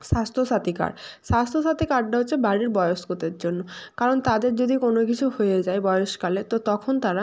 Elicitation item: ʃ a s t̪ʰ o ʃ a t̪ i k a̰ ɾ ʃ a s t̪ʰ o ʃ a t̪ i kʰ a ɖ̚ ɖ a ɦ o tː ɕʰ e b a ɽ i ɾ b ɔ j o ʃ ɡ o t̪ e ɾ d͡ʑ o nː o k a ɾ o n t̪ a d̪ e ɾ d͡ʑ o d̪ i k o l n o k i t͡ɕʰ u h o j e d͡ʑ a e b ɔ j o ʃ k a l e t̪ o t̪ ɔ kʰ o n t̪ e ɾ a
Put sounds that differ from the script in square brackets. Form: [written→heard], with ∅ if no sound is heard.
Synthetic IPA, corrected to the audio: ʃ a s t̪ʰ o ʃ a t̪ i k a̰ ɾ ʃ a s t̪ʰ o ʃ a t̪ i [kʰ→k] a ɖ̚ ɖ a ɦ o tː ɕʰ e b a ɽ i ɾ b ɔ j o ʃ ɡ o t̪ e ɾ d͡ʑ o nː o k a ɾ o n t̪ a d̪ e ɾ d͡ʑ o d̪ i k o [l→∅] n o k i t͡ɕʰ u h o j e d͡ʑ a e b ɔ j o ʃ k a l e t̪ o t̪ ɔ kʰ o n t̪ [e→a] ɾ a